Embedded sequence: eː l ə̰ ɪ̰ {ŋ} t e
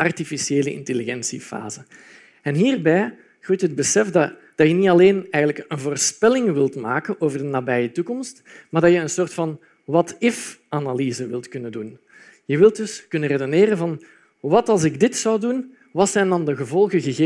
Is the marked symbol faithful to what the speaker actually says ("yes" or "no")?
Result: no